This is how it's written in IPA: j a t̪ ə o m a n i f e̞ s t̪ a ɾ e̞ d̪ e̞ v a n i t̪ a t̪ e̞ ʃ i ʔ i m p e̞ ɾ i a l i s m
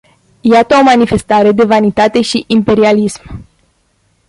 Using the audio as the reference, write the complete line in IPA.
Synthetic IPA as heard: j a t̪ ə o m a n i f e̞ s t̪ a ɾ e̞ d̪ e̞ v a n i t̪ a t̪ e̞ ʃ i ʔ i m p e̞ ɾ i a l i s m